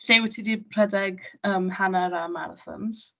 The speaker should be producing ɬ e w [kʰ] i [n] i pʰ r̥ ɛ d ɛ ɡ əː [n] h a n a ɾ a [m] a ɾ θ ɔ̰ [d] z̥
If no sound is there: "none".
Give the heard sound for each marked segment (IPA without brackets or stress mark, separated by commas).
tʰ, d, m, m, n